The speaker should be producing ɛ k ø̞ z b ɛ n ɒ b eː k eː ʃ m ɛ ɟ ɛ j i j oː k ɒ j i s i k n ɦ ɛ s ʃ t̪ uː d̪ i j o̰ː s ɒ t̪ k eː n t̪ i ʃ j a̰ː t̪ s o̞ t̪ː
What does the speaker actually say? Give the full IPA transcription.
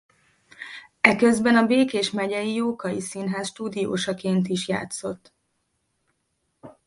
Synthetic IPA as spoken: ɛ k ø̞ z b ɛ n ɒ b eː k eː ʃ m ɛ ɟ ɛ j i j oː k ɒ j i s i n ɦ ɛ s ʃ t̪ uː d̪ i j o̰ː ʃ ɒ k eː n t̪ i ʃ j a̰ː t̪ s o̞ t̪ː